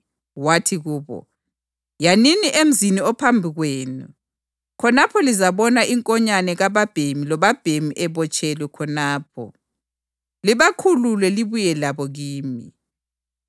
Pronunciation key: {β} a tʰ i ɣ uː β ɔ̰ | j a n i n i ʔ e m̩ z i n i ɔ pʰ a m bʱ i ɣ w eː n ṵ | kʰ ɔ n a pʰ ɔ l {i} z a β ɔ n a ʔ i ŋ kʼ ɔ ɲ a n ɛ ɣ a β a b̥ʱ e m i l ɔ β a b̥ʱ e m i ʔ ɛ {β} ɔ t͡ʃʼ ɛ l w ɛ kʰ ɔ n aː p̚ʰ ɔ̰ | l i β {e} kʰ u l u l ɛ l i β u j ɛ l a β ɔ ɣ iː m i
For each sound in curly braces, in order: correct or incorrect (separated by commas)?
incorrect, correct, correct, incorrect